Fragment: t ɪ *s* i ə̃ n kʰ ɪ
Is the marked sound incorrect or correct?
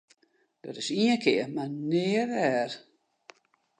correct